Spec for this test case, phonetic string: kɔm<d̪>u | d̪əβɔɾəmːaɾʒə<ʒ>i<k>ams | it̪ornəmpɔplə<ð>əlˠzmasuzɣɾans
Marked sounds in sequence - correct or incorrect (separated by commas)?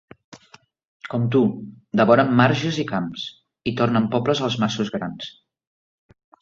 incorrect, incorrect, correct, incorrect